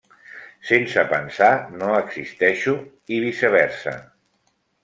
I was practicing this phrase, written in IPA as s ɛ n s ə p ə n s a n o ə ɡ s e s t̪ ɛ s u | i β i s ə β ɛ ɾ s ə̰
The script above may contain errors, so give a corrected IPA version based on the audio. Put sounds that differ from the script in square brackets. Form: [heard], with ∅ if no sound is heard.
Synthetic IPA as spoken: s [e] n s ə p ə n s a n o ə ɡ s [i] s t̪ ɛ [ʃ] u | i β i s ə β ɛ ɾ s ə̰